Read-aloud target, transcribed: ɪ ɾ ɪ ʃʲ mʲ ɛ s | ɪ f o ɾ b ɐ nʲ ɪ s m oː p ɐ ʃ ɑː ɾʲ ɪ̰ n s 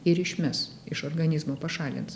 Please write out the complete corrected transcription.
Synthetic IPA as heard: ɪ ɾ ɪ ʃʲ mʲ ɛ s | ɪ ʃ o ɾ ɡ ɐ nʲ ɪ z m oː p ɐ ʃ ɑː lʲ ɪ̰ n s